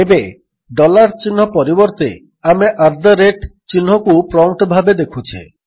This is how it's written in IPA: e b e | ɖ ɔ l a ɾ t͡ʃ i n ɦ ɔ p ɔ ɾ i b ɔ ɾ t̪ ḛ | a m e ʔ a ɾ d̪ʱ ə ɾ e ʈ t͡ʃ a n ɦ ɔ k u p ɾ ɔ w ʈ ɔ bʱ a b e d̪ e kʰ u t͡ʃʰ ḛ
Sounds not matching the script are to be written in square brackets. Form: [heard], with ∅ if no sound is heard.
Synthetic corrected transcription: e b e | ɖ ɔ l a ɾ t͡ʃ i n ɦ ɔ p ɔ ɾ i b ɔ ɾ t̪ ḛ | a m e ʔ a ɾ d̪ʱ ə ɾ e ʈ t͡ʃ [i] n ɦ ɔ k u p ɾ ɔ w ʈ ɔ bʱ a b e d̪ e kʰ u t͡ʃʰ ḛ